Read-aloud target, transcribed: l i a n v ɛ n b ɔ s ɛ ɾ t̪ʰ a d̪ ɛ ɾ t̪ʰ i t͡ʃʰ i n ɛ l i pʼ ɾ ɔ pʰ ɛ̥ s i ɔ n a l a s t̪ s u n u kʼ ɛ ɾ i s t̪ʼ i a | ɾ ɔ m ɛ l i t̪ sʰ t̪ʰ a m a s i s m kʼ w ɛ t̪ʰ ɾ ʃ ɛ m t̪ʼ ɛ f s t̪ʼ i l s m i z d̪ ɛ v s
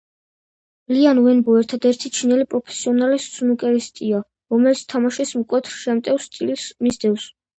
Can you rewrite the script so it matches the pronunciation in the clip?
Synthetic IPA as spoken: l i a n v ɛ n b ɔ ɛ ɾ t̪ʰ a d̪ ɛ ɾ t̪ʰ i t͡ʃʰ i n ɛ l i pʼ ɾ ɔ pʰ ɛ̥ s i ɔ n a l i s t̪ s u n u kʼ ɛ ɾ i s t̪ʼ i a | ɾ ɔ m ɛ l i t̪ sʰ t̪ʰ a m a ʃ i s m kʼ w ɛ t̪ʰ ɾ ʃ ɛ m t̪ʼ ɛ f s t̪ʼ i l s m i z d̪ ɛ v s

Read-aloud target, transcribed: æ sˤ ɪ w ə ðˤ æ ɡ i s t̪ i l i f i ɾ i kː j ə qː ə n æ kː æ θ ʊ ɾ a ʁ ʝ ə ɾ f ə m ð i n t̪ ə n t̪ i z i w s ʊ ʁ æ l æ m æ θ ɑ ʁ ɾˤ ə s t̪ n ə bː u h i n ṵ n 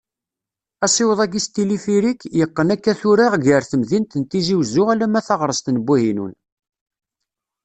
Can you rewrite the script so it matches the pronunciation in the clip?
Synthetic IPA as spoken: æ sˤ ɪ w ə ðˤ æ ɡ i s t̪ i l i f i ɾ i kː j ə qː ə n æ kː æ θ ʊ ɾ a ʁ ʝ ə ɾ θ ə m ð i n t̪ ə n t̪ i z i w z ʊ ʁ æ l æ m æ θ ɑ ʁ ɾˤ ə s t̪ n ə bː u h i n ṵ n

